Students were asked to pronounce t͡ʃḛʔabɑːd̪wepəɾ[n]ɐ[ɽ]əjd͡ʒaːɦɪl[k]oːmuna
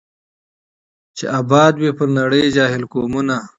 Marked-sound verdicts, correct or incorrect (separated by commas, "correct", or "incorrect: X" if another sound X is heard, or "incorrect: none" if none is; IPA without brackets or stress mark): correct, correct, correct